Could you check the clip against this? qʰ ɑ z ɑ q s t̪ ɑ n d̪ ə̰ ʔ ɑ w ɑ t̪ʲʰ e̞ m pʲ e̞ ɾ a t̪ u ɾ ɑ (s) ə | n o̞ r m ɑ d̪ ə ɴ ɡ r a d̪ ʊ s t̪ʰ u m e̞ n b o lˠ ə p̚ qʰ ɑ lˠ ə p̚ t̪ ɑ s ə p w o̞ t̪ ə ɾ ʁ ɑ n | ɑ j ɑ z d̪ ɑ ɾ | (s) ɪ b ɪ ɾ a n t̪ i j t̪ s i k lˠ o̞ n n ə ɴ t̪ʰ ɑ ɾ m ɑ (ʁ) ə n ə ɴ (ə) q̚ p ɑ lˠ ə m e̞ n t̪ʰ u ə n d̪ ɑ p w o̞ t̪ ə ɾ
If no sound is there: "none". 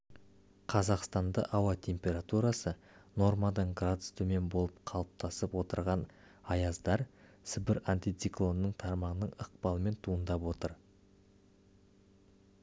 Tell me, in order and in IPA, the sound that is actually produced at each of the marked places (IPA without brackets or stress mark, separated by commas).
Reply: s, s, ʁ, ə